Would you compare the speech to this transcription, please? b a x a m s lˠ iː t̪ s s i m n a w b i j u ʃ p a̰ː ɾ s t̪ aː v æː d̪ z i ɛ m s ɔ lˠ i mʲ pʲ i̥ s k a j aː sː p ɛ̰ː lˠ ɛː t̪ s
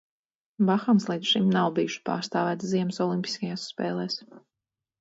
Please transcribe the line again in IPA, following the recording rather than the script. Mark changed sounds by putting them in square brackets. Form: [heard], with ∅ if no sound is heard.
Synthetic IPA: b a x a m s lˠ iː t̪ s [ʃ] i m n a w b i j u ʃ p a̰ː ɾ s t̪ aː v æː [t̪] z i ɛ m s ɔ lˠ i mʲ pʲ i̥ s k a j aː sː p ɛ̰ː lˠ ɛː [∅] s